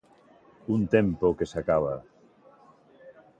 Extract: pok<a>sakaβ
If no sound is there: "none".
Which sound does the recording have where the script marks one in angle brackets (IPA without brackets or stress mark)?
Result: e